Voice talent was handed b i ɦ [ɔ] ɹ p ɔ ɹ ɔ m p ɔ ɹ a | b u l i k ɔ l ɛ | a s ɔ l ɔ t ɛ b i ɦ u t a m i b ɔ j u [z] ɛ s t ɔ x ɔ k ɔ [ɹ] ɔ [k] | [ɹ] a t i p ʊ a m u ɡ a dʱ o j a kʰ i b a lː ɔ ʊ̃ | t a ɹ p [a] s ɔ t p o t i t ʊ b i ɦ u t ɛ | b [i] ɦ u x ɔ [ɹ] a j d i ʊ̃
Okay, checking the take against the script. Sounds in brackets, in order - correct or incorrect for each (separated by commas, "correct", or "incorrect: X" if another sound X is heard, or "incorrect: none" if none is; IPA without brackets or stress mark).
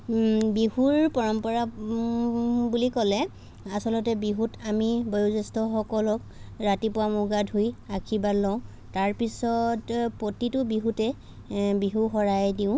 incorrect: u, correct, incorrect: l, correct, correct, incorrect: i, correct, correct